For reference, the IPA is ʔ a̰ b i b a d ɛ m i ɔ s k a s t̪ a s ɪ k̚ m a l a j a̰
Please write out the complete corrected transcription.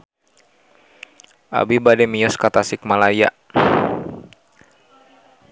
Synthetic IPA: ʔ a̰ b i b a d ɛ m i ɔ s k a t̪ a s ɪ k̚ m a l a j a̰